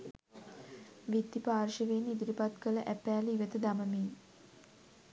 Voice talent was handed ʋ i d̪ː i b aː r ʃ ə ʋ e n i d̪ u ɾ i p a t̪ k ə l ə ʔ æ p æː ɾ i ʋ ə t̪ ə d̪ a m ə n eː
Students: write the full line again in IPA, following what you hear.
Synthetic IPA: ʋ i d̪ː i p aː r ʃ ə ʋ e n i d̪ u ɾ i p a t̪ k ə l ə ʔ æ p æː l i ʋ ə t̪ ə d̪ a m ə m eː